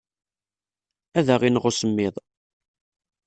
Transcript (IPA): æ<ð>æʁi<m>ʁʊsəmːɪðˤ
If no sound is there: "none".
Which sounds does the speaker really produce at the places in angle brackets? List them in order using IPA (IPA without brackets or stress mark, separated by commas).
ð, n